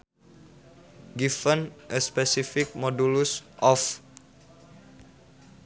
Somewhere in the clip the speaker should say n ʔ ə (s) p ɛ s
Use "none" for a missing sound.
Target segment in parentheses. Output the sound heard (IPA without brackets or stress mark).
s